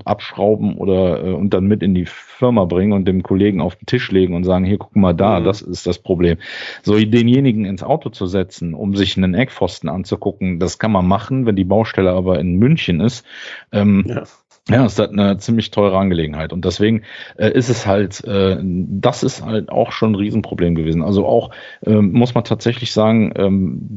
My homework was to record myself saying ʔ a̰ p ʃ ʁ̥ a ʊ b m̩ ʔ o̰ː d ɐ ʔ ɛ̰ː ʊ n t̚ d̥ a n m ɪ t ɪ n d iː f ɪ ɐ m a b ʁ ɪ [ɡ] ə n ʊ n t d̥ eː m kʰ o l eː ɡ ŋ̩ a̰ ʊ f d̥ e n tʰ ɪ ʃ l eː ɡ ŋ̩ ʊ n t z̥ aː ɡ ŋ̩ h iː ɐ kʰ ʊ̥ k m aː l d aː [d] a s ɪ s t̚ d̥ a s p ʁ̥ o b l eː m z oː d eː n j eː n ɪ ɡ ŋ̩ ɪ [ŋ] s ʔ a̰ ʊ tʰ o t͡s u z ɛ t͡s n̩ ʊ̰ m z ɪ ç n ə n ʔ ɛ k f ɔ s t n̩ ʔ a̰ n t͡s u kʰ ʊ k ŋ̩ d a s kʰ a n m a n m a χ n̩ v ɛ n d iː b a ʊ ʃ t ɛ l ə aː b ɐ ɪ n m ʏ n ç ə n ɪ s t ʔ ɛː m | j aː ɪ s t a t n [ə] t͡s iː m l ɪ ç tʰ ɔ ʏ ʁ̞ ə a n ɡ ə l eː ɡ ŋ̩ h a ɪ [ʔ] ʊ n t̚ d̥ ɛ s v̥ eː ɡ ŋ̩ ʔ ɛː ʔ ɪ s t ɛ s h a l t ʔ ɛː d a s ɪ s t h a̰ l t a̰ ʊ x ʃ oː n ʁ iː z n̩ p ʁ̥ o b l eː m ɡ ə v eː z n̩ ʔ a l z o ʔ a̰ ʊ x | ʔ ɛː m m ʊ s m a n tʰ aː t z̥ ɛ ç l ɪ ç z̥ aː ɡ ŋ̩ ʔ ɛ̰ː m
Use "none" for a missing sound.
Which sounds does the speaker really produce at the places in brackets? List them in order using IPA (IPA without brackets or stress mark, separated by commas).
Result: ŋ, d, n, ə, t